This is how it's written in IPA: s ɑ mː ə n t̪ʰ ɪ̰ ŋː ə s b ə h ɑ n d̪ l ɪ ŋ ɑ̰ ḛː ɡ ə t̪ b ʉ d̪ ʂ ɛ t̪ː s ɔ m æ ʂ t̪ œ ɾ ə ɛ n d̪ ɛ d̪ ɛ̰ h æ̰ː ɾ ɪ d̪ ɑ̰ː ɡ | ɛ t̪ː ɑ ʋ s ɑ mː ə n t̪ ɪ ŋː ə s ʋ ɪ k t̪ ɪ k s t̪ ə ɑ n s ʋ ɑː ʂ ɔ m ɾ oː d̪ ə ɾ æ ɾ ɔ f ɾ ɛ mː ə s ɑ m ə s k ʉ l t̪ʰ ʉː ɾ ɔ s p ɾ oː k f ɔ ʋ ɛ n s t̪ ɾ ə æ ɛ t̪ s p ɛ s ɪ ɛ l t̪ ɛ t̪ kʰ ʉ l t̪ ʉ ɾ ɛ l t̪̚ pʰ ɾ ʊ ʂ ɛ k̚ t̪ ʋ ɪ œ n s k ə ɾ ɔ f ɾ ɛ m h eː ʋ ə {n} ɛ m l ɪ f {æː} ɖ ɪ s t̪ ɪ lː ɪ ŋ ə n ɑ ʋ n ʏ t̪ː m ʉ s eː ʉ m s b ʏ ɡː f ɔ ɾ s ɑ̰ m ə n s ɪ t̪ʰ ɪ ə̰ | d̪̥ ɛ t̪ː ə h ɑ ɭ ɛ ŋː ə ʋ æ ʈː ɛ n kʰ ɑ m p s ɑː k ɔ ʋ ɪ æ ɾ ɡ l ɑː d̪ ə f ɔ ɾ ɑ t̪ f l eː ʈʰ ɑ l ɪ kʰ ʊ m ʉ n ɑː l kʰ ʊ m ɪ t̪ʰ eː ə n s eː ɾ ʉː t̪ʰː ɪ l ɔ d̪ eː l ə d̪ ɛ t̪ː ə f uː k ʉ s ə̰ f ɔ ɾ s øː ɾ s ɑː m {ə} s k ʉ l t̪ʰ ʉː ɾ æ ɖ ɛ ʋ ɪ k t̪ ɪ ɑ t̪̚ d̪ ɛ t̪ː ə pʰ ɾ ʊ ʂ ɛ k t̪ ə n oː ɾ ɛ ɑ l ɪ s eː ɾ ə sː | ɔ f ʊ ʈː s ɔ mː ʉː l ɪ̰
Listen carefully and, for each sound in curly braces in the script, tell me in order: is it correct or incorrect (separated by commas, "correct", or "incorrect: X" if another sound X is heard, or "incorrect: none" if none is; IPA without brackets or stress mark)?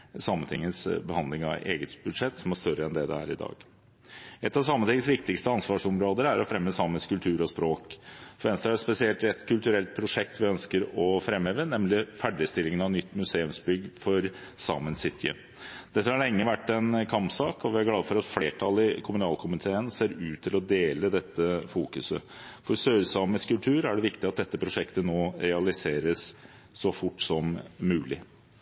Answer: correct, incorrect: æ, correct